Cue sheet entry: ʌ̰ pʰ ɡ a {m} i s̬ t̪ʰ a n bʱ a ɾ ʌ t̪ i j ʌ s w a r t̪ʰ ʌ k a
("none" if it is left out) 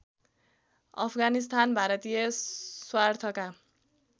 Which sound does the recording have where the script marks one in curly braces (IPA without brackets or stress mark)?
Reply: n